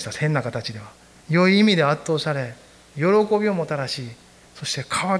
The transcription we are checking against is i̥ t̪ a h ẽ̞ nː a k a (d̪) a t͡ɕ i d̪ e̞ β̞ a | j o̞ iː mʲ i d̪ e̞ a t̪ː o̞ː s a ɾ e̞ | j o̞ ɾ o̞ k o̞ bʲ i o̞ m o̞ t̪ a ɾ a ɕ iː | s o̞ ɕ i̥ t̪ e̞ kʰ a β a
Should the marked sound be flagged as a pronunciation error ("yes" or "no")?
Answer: yes